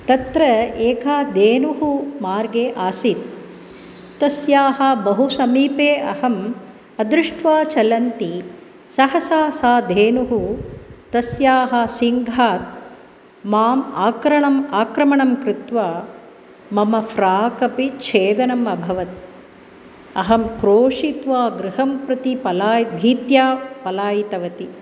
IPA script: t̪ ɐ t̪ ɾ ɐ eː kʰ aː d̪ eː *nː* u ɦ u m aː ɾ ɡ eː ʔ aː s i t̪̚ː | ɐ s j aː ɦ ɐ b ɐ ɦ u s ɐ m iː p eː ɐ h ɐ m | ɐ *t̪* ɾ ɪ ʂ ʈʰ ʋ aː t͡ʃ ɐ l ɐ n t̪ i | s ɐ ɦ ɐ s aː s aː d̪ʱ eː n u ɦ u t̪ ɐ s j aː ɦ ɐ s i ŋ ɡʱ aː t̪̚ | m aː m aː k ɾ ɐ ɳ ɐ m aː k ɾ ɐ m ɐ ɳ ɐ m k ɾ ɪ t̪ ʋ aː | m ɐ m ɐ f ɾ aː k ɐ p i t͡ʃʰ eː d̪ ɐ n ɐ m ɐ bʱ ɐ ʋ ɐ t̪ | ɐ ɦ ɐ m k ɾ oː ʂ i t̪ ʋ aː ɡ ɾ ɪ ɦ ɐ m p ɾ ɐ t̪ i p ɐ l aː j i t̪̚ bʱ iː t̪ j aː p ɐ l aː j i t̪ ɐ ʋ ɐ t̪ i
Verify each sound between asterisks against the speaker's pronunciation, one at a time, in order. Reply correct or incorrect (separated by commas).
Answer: incorrect, incorrect